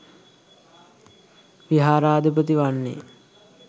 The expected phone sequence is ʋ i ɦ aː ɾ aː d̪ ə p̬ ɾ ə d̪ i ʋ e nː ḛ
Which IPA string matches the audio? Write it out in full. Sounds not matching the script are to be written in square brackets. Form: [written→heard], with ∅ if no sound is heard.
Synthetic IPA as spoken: ʋ i ɦ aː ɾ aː d̪ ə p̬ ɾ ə [d̪→t̪] i ʋ [e→a] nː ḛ